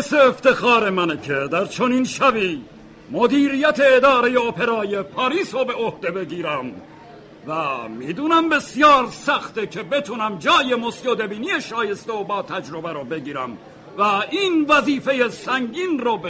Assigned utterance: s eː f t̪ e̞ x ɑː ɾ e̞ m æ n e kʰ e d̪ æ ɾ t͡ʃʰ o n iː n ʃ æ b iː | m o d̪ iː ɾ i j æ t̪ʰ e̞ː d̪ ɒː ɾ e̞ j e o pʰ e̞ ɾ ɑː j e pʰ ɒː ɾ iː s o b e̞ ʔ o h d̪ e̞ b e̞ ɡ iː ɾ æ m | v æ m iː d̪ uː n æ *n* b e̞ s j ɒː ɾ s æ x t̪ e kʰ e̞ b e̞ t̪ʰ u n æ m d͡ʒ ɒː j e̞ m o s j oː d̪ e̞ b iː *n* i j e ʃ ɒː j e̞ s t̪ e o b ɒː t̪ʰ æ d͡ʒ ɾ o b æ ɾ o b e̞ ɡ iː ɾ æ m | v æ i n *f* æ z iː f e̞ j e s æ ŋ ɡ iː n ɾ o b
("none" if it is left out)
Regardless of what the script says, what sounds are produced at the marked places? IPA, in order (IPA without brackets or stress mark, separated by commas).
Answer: m, n, v